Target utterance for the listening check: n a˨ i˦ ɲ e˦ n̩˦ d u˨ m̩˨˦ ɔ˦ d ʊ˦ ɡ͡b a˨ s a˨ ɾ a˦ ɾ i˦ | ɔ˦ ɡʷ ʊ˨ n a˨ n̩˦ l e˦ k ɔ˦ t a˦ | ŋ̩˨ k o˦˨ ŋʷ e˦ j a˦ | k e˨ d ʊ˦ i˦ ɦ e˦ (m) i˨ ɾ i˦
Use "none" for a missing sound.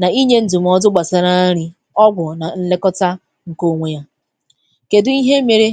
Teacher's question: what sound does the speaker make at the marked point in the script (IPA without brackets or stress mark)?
m